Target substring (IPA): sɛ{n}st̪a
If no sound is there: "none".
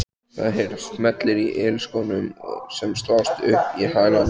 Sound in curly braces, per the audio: m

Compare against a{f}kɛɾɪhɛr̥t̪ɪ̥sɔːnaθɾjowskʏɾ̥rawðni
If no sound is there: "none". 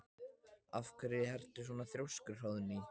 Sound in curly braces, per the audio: f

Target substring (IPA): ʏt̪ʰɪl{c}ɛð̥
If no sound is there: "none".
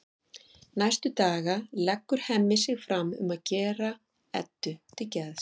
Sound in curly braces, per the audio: c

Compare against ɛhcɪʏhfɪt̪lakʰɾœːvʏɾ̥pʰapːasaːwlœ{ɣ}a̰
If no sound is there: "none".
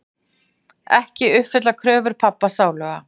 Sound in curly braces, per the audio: ɣ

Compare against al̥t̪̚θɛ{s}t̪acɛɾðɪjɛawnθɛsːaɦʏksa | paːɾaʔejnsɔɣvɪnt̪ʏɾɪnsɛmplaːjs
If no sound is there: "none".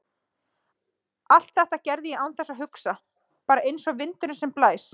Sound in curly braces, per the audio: h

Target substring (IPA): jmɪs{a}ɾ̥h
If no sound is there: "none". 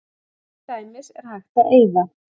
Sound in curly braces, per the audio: ɛ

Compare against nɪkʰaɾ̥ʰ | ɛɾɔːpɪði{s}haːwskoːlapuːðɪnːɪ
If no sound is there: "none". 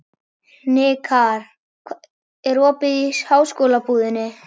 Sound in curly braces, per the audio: s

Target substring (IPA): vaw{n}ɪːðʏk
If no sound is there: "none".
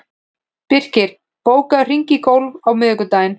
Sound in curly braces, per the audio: m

